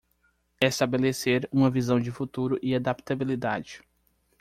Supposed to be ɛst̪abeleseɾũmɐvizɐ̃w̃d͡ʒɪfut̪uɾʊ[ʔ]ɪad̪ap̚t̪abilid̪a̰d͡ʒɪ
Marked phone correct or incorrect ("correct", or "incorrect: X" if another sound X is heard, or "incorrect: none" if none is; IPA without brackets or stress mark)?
correct